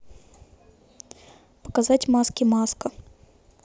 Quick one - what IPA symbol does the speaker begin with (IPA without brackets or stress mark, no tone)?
p